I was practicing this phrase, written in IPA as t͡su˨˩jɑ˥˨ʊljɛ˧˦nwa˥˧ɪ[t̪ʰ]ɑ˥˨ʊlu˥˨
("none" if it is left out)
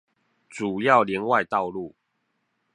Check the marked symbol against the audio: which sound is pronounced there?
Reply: t̪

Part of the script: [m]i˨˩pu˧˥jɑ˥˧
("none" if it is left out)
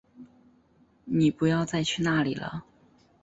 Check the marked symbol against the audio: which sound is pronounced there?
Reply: n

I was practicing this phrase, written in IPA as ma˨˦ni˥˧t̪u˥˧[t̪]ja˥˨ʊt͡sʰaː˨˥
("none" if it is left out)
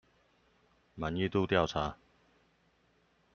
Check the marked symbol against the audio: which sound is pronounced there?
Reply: t̪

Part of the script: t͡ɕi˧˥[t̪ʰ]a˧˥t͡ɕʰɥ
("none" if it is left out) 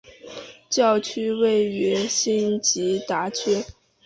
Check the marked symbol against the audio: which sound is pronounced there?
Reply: t̪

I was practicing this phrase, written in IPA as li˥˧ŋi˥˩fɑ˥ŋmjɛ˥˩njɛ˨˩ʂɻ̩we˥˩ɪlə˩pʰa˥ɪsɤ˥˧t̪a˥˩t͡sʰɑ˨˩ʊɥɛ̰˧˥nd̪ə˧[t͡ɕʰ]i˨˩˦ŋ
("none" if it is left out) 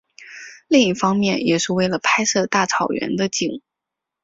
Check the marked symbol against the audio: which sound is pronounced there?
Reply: t͡ɕ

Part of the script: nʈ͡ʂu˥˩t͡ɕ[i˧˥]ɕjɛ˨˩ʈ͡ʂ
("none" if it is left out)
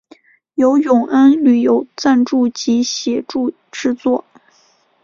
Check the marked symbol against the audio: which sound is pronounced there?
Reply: i˧˥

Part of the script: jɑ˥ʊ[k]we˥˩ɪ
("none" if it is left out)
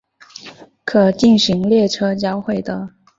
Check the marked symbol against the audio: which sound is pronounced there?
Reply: x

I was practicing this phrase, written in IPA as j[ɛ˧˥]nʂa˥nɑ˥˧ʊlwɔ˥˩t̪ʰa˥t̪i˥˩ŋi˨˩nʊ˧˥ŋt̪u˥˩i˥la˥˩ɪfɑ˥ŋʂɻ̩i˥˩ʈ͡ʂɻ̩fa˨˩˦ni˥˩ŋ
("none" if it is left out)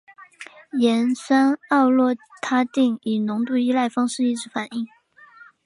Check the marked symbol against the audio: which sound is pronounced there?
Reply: ɛ˧˥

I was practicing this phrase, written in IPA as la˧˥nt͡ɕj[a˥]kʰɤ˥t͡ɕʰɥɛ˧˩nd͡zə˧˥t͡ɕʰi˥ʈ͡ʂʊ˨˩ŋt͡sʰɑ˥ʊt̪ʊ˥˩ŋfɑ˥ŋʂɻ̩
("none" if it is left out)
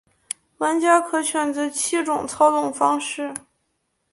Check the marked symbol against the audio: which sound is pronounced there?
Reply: a˥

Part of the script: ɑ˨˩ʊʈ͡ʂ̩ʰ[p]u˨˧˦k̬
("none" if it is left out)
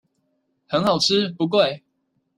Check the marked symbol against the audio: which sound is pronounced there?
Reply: p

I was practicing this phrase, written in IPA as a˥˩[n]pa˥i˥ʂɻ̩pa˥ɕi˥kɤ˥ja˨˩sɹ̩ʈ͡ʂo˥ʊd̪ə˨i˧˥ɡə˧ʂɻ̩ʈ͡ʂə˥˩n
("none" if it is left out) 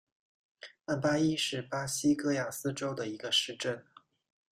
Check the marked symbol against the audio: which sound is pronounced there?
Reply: n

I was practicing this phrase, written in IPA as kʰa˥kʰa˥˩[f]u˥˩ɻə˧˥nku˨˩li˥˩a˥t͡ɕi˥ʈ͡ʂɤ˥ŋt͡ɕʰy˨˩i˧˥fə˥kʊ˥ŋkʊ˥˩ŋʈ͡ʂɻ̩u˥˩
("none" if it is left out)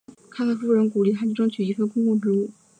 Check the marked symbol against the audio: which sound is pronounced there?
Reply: f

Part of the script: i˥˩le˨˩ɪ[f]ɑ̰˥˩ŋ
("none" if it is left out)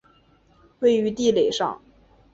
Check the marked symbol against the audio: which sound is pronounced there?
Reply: ʂ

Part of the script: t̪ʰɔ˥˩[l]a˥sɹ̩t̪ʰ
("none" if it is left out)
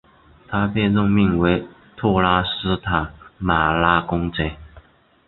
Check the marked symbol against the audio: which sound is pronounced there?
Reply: l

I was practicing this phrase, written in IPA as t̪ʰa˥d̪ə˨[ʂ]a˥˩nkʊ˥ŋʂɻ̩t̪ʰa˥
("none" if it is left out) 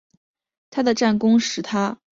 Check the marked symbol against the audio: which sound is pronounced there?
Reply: ʈ͡ʂ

